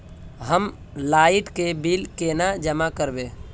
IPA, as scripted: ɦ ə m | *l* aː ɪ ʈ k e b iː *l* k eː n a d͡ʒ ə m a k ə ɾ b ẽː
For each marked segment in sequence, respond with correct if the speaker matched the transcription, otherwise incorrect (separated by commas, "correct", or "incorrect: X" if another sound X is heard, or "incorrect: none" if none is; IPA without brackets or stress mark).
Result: correct, correct